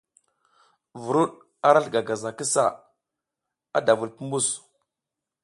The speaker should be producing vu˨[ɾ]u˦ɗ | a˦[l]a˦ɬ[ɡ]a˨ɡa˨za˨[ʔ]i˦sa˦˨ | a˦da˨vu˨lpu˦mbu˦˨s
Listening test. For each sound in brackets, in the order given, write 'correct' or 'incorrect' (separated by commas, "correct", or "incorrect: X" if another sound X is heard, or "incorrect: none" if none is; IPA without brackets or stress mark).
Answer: correct, incorrect: ɾ, correct, incorrect: k